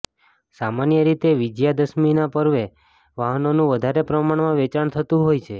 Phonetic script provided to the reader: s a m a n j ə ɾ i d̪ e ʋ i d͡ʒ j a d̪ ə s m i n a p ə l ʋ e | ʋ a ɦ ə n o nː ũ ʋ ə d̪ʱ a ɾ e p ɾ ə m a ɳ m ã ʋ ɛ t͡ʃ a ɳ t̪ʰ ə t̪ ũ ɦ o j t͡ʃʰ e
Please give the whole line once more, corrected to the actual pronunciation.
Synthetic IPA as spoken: s a m a n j ə ɾ i t̪ e ʋ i d͡ʒ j a d̪ ə s m i n a p ə ɾ ʋ e | ʋ a ɦ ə n o n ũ ʋ ə d̪ʱ a ɾ e p ɾ ə m a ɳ m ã ʋ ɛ t͡ʃ a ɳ t̪ʰ ə t̪ ũ ɦ o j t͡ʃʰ e